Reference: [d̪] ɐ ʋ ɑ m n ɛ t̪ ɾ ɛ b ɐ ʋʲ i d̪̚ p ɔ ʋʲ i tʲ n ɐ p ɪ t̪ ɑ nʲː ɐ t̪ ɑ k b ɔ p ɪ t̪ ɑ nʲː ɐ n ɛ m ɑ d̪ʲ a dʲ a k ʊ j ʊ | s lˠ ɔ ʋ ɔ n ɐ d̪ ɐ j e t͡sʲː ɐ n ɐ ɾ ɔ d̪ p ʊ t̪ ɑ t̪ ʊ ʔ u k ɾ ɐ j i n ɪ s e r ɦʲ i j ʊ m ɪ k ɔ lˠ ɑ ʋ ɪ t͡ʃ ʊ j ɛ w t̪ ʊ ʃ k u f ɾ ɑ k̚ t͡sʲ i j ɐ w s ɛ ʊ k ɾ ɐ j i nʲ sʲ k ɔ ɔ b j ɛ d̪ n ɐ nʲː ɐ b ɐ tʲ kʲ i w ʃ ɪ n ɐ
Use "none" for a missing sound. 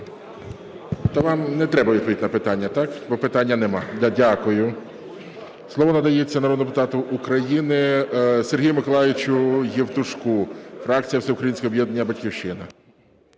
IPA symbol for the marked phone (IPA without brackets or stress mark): t̪